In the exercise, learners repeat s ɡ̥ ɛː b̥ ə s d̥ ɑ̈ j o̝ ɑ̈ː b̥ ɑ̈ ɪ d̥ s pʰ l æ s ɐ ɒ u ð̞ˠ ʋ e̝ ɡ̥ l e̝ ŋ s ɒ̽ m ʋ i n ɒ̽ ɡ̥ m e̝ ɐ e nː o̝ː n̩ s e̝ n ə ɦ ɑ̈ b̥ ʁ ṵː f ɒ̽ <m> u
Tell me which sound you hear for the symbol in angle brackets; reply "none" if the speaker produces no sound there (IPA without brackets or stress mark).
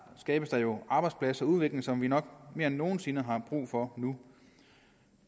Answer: n